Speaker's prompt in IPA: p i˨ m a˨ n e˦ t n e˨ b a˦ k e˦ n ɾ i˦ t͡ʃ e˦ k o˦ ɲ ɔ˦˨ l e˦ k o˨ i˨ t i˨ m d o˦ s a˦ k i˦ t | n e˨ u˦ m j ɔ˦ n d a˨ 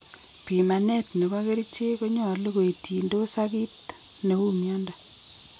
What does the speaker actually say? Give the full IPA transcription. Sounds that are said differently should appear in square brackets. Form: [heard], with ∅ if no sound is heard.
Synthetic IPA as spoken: p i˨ m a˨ n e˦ t n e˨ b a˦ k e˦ [∅] ɾ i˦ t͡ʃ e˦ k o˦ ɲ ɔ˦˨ l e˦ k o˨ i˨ t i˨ [n] d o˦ s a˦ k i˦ t | n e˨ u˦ m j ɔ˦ n d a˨